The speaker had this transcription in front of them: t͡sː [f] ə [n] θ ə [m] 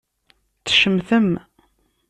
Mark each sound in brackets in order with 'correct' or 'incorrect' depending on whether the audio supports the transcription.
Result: incorrect: ʃ, incorrect: m, correct

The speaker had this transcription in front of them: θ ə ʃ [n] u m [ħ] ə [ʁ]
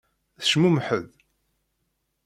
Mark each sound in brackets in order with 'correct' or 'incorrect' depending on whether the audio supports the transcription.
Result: incorrect: m, correct, incorrect: ð

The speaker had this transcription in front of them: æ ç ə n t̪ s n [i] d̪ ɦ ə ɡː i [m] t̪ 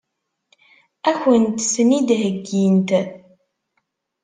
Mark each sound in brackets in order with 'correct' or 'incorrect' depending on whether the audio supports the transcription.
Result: correct, incorrect: n

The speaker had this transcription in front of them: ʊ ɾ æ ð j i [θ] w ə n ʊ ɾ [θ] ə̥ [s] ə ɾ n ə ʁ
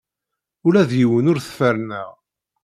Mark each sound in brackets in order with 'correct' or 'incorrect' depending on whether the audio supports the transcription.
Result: incorrect: none, correct, incorrect: f

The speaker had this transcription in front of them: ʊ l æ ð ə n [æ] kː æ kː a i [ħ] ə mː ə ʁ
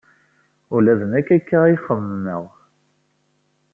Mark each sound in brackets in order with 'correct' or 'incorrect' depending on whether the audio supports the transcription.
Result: correct, incorrect: χ

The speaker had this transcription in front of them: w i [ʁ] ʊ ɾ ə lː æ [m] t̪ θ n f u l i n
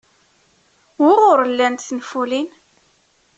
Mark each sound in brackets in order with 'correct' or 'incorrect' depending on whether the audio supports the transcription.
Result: correct, incorrect: n

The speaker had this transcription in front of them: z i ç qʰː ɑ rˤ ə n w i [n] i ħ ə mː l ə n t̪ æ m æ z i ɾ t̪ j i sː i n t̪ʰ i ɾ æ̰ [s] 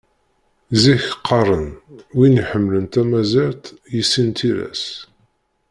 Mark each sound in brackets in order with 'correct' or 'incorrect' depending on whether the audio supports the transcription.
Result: correct, correct

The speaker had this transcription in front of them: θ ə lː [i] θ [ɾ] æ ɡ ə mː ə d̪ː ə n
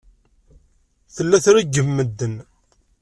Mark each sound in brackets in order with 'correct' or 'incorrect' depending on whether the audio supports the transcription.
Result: incorrect: æ, correct

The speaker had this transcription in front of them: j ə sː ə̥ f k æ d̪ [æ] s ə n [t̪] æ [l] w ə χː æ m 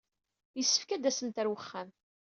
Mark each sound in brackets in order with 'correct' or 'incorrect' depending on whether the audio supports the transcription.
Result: correct, correct, incorrect: ɾ

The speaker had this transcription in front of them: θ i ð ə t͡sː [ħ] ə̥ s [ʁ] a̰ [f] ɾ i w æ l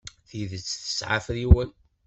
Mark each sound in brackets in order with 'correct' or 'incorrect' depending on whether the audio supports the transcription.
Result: incorrect: θ, incorrect: ʕ, correct

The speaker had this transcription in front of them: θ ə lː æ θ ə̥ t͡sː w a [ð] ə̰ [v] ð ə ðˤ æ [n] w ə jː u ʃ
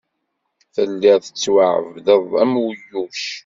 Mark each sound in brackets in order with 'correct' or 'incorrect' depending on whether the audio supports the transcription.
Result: incorrect: ʕ, correct, incorrect: m

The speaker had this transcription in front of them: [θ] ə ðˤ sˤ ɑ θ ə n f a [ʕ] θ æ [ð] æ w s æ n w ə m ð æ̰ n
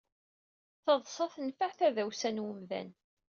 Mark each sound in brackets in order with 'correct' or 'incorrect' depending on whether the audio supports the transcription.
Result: correct, correct, correct

